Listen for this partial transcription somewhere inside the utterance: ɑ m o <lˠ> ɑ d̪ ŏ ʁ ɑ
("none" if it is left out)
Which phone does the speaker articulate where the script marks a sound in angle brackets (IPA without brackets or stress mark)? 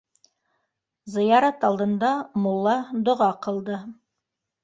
lˠː